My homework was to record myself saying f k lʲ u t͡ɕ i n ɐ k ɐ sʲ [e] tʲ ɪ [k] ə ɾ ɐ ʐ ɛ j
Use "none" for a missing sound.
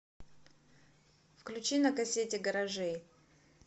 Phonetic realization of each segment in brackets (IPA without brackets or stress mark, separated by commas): e, ɡ